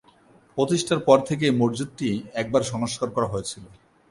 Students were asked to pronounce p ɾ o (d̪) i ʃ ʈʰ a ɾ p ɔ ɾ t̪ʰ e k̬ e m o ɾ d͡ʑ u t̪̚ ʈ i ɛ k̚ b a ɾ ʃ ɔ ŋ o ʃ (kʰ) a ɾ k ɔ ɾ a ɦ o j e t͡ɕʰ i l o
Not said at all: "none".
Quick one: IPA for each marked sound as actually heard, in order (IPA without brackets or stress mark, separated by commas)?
t̪, k